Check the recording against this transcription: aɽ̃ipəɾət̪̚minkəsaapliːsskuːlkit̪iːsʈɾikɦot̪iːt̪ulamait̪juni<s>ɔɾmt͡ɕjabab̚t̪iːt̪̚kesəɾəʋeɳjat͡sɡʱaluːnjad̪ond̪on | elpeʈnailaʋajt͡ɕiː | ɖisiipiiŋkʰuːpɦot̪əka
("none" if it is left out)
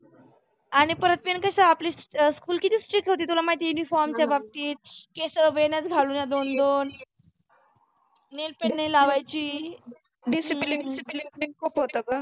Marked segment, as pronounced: f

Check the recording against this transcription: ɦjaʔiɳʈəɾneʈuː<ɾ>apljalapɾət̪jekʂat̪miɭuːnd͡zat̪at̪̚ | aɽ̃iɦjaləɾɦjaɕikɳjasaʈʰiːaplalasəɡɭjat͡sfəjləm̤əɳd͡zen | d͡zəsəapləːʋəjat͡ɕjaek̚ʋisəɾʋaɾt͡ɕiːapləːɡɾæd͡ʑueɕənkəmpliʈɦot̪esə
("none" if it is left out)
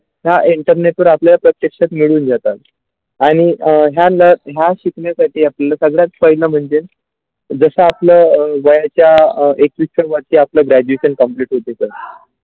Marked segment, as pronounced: ɾ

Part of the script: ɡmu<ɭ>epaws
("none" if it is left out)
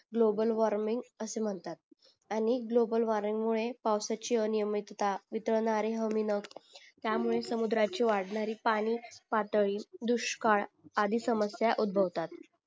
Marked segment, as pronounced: ɭ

